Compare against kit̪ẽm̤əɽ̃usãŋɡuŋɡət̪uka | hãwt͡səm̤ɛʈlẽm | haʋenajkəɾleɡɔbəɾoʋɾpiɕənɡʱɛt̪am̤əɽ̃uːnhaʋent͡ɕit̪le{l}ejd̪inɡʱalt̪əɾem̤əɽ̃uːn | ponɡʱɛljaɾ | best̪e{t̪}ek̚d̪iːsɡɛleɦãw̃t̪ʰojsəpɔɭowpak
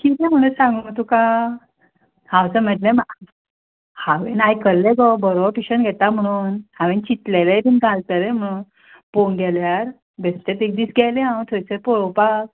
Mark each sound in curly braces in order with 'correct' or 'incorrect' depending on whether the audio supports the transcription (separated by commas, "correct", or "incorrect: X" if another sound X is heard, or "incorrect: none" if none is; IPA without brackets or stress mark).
correct, correct